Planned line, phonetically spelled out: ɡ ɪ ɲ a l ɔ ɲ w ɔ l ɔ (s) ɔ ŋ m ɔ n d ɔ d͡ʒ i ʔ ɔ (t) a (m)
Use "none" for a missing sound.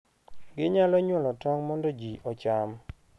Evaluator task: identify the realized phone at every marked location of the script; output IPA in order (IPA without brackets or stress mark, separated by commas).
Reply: t, t͡ʃ, m